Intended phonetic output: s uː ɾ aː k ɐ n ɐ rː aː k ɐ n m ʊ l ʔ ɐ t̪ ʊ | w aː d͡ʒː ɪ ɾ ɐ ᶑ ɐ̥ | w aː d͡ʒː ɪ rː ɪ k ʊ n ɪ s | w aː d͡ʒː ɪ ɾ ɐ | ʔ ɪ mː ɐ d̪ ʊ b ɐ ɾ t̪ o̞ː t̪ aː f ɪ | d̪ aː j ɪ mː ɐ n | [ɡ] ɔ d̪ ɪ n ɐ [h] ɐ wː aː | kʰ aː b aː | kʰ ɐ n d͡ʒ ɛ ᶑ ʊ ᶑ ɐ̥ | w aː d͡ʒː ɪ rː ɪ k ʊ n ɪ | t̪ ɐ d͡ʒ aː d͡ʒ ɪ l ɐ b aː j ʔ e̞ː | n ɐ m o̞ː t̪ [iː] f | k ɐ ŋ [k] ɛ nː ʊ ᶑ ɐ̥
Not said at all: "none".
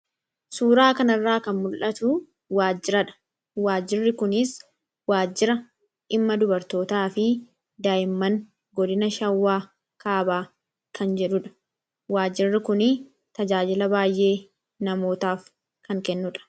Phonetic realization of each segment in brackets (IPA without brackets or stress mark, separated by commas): ɡ, ʃ, aː, k